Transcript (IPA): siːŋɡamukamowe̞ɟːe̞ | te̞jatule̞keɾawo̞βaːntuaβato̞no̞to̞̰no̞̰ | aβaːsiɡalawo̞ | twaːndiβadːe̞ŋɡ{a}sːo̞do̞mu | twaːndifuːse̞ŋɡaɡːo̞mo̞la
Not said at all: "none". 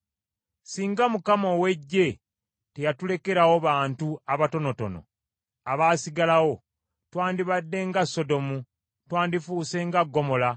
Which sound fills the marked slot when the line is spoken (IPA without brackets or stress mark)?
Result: a